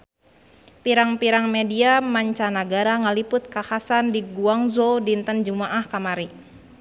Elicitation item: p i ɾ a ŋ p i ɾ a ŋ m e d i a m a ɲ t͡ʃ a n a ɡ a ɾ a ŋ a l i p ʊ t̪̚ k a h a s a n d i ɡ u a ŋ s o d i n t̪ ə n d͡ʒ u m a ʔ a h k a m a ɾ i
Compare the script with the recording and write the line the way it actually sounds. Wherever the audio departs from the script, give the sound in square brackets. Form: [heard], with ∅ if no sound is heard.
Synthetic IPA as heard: p i ɾ a ŋ p i ɾ a ŋ m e d i a m a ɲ t͡ʃ a n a ɡ a ɾ a ŋ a l i p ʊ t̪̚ k a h a s a n d i ɡ u a ŋ [z] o d i n t̪ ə n d͡ʒ u m a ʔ a h k a m a ɾ i